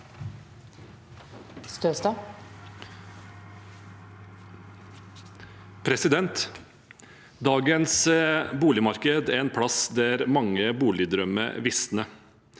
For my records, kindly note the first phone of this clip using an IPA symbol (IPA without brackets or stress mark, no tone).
s